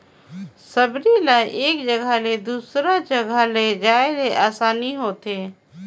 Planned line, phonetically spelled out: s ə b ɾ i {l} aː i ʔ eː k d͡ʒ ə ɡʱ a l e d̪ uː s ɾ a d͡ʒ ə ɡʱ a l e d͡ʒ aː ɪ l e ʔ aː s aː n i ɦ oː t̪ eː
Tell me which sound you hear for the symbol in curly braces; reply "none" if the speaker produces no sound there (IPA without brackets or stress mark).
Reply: l